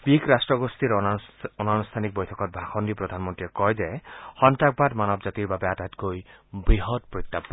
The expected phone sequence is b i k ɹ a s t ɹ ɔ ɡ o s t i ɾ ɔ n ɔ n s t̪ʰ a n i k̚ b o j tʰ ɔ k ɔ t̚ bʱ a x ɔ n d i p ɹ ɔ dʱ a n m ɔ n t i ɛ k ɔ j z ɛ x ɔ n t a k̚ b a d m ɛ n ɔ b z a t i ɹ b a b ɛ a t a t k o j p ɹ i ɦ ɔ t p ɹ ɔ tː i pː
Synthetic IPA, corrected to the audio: b i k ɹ a s t ɹ ɔ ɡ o s t i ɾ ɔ n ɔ n s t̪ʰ a n i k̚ b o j tʰ ɔ k ɔ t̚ bʱ a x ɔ n d i p ɹ ɔ dʱ a n m ɔ n t i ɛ k ɔ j z ɛ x ɔ n t a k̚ b a d m a n ɔ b z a t i ɹ b a b ɛ a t a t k o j b ɹ i ɦ ɔ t p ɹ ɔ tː a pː